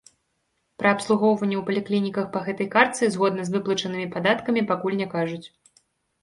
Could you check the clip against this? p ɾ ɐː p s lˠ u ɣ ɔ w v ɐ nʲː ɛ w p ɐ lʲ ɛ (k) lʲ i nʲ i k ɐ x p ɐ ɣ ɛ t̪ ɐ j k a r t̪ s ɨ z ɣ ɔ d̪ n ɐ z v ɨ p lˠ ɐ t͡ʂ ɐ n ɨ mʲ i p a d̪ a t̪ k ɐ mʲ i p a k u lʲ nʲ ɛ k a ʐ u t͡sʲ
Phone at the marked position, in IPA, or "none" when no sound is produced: k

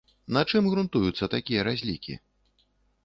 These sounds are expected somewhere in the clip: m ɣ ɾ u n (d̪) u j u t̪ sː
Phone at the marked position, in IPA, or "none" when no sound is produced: t̪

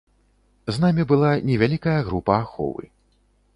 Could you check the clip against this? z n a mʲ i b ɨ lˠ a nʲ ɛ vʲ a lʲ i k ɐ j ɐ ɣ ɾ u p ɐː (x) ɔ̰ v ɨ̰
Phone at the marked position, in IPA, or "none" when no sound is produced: x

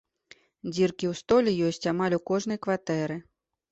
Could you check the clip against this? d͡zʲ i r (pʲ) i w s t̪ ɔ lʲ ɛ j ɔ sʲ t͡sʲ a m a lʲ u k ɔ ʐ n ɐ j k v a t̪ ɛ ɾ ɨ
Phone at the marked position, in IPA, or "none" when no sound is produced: kʲ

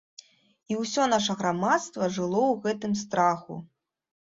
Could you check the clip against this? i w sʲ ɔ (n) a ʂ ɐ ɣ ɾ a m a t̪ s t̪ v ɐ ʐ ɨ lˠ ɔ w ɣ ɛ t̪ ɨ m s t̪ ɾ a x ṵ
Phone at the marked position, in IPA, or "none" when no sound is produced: n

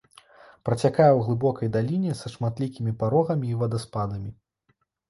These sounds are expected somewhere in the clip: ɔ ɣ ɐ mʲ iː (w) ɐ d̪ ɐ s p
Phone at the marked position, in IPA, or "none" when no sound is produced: v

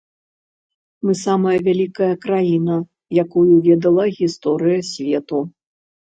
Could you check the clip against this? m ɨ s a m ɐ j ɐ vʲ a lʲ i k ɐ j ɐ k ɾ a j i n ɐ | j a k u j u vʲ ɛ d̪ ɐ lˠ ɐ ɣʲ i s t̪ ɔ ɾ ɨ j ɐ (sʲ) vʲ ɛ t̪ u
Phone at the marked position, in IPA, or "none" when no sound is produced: sʲ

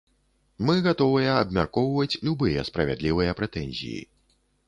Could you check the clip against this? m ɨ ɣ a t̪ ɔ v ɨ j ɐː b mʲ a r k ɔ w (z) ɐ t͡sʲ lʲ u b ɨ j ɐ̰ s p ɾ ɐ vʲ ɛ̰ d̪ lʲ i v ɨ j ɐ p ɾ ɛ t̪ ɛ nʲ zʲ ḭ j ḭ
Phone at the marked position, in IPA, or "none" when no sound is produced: v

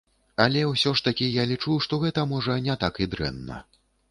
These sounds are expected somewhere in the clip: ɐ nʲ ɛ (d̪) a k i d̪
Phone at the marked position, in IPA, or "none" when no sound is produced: t̪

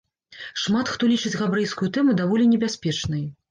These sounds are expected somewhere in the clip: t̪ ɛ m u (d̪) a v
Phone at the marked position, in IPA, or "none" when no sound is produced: d̪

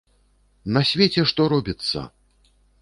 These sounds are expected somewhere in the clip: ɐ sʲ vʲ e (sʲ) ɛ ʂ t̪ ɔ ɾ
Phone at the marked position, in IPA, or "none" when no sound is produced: t͡sʲ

